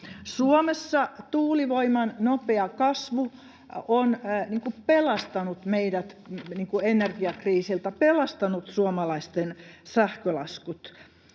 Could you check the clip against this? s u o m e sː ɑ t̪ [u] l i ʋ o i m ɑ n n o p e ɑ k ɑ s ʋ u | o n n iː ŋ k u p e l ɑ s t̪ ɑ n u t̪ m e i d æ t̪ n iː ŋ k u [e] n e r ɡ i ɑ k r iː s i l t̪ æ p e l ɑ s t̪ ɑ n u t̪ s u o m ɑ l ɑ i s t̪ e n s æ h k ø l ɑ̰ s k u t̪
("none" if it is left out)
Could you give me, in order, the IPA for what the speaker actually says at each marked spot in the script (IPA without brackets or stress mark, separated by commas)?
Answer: uː, e